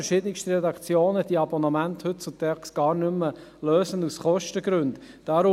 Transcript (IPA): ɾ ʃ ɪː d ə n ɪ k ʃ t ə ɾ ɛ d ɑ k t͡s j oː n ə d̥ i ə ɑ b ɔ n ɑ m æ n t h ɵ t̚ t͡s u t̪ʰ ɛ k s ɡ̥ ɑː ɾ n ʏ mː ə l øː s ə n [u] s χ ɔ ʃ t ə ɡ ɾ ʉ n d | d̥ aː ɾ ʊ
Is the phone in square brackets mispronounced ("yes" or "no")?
no